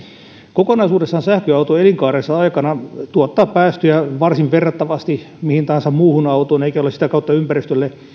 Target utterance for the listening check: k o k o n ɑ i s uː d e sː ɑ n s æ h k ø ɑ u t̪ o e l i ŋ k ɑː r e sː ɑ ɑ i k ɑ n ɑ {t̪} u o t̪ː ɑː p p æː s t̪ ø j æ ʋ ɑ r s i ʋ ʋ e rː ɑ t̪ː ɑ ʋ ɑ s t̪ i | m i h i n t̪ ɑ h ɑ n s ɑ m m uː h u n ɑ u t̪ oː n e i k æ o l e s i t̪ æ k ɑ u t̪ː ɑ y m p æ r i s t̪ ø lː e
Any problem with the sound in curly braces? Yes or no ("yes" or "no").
no